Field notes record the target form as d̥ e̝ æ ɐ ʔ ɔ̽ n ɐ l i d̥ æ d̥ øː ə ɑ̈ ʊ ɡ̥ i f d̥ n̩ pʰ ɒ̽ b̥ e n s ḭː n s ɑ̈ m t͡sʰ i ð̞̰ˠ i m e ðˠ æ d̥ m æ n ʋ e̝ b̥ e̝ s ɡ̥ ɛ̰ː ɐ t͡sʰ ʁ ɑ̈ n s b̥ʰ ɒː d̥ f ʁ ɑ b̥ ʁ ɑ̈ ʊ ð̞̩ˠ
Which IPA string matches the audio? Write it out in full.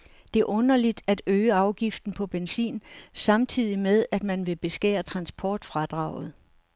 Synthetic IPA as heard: d̥ e̝ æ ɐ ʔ ɔ̽ n ɐ l i d̥ æ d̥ øː ə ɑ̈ ʊ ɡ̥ i f d̥ n̩ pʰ ɒ̽ b̥ e n s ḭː n s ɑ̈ m t͡sʰ i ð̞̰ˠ i m e ðˠ æ d̥ m æ n ʋ e̝ b̥ e̝ s ɡ̥ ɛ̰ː ɐ t͡sʰ ʁ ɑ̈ n s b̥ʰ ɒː d̥ f ʁ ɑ d̥ ʁ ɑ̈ ʊ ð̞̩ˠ